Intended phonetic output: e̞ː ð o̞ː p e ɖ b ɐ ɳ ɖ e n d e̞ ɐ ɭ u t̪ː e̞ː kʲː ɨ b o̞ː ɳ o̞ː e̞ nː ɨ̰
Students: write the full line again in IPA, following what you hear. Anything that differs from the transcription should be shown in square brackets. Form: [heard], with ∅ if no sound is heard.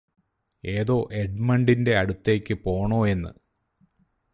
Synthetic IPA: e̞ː ð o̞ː [ʔ] e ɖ [m] ɐ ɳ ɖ [i] n d e̞ ɐ [ɽ] u t̪ː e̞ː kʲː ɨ [p] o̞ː ɳ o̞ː e̞ nː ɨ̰